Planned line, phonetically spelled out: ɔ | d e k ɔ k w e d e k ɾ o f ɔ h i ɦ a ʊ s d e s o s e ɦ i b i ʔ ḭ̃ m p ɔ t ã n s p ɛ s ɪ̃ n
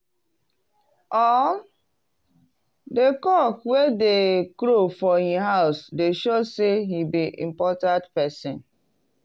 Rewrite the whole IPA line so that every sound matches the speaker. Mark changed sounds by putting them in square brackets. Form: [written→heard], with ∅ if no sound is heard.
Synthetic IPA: ɔ | d e k ɔ k w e d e k ɾ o f ɔ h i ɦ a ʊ s d e [s→ʃ] o s e ɦ i b i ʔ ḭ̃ m p ɔ t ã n [s→t] p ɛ s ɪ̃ n